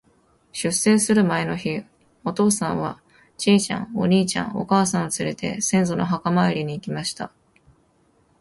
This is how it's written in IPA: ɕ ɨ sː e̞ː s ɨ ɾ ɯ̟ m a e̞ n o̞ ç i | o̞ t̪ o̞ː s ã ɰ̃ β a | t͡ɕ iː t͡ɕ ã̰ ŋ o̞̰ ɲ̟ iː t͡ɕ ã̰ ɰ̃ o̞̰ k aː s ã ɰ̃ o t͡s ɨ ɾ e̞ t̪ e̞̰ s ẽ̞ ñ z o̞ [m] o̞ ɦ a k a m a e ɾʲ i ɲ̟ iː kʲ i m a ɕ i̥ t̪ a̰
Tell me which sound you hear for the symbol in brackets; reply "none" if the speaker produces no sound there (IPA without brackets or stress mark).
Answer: n